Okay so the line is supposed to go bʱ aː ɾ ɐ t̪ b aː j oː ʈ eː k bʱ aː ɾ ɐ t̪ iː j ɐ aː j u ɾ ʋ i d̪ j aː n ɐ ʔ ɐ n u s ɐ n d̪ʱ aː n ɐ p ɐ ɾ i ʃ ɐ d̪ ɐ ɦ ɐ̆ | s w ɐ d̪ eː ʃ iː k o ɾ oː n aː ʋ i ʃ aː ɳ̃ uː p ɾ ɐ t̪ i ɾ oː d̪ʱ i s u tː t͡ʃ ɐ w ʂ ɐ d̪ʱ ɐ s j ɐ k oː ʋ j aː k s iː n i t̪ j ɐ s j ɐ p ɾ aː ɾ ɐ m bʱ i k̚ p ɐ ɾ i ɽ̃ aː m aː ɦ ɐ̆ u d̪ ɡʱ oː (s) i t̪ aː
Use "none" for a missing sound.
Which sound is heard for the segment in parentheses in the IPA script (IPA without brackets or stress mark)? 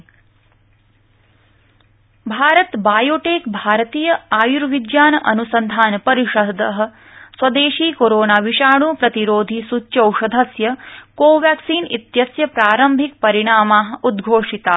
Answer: ʂ